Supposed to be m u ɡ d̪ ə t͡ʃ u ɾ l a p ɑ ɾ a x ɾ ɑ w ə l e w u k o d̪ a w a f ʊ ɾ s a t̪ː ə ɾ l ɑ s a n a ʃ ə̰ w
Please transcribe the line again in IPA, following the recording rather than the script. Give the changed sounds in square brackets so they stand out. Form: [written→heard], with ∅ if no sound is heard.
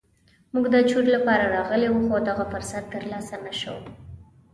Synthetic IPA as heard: m u ɡ d̪ ə t͡ʃ u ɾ l a p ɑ ɾ a [x→∅] ɾ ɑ [w→ɣ] ə l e w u [k→x] o d̪ a [w→ɣ] a f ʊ ɾ s a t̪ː ə ɾ l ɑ s a n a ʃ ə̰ w